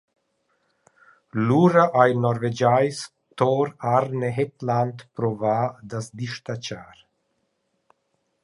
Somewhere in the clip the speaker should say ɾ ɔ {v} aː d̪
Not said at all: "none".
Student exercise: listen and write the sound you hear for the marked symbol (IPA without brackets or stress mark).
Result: v